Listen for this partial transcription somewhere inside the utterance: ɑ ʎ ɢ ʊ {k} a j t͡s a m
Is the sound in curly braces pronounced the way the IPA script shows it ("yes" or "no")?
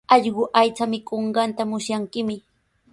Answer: no